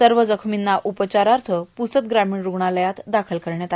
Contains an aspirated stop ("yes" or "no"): yes